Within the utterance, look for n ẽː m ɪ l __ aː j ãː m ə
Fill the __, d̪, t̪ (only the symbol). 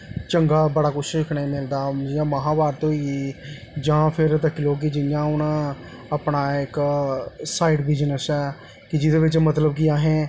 d̪